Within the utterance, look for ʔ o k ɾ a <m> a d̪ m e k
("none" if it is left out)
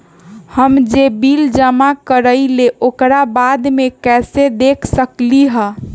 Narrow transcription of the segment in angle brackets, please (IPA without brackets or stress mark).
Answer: b